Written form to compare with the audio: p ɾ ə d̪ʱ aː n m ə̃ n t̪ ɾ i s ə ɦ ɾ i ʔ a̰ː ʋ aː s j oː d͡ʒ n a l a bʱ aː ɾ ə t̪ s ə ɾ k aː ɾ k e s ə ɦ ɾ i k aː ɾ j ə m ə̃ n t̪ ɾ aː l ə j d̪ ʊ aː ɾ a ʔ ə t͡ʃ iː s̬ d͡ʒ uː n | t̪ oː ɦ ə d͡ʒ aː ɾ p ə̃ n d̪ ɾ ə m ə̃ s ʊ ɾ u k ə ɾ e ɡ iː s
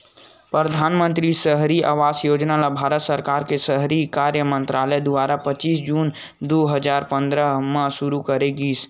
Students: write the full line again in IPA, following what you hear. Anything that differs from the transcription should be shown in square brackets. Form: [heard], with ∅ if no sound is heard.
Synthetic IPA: p ɾ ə d̪ʱ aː n m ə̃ n t̪ ɾ i s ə ɦ ɾ i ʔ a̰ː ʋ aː s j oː d͡ʒ n a l a bʱ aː ɾ ə t̪ s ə ɾ k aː ɾ k e s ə ɦ ɾ i k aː ɾ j ə m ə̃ n t̪ ɾ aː l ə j d̪ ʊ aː ɾ a [p] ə t͡ʃ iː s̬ d͡ʒ uː n | [d̪] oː ɦ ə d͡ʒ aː ɾ p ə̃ n d̪ ɾ ə m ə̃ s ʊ ɾ u k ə ɾ e ɡ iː s